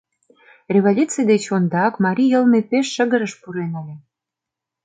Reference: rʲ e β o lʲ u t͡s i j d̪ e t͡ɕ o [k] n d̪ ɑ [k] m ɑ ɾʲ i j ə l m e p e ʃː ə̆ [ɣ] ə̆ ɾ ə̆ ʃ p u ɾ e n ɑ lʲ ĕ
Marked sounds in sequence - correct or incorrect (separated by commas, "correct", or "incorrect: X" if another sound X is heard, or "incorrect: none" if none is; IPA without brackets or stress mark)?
incorrect: none, correct, correct